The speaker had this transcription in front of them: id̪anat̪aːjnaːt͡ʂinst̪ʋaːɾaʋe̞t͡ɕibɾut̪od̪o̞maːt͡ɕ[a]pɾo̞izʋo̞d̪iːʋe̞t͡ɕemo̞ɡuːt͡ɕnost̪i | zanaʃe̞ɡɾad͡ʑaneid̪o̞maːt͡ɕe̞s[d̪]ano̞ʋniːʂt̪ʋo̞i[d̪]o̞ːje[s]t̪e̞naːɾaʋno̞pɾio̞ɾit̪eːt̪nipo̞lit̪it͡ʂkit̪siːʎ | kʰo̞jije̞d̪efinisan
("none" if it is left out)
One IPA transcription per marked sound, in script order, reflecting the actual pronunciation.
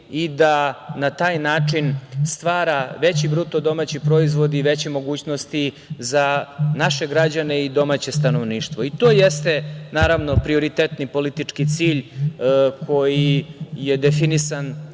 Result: i, t̪, t̪, s

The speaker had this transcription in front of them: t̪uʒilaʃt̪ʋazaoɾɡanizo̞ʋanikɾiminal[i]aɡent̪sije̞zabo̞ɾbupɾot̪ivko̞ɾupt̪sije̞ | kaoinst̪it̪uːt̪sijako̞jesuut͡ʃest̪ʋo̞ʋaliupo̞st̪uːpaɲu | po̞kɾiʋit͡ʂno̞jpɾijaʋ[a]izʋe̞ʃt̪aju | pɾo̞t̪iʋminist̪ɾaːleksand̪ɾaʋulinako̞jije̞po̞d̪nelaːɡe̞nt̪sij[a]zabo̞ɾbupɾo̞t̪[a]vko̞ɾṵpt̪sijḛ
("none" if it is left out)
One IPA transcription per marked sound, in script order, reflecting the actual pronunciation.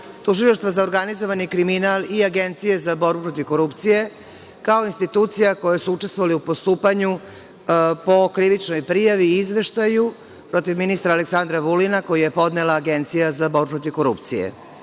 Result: i, i, a, i

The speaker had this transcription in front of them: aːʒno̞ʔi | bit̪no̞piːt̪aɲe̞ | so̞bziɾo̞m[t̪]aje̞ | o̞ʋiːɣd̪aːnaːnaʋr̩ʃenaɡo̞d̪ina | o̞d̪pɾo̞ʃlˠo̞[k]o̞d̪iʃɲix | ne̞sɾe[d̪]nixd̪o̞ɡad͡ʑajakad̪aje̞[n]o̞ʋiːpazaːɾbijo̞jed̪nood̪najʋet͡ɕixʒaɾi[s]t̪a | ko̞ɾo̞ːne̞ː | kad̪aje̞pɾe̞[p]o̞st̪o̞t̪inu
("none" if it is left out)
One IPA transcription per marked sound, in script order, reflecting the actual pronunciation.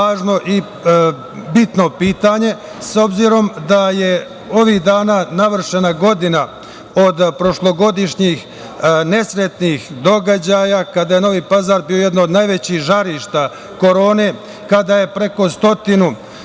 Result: d̪, ɡ, t̪, n, ʃ, k

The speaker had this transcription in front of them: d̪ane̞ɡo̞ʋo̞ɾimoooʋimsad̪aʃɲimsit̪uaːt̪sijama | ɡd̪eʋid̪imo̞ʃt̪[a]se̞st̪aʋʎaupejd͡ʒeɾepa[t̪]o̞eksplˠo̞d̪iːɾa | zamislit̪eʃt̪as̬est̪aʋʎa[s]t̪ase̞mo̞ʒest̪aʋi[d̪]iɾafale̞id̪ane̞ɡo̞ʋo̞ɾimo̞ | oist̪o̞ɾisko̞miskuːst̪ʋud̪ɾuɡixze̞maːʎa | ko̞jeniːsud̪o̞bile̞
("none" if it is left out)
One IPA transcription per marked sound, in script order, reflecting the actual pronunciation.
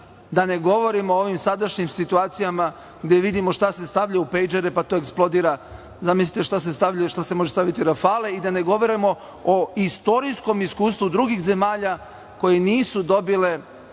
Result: a, t̪, ʃ, t̪

